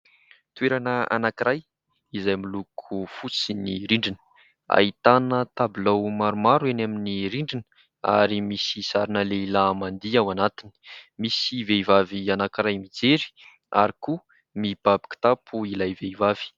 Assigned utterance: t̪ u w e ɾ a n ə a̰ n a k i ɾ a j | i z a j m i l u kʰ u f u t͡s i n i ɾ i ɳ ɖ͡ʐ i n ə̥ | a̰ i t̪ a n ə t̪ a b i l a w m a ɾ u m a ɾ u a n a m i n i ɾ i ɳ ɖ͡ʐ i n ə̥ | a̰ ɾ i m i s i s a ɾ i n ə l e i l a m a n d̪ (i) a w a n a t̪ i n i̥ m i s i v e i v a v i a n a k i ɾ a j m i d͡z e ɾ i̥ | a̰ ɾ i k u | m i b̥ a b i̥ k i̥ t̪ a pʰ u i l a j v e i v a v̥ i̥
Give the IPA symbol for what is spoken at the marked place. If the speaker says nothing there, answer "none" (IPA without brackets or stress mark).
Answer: i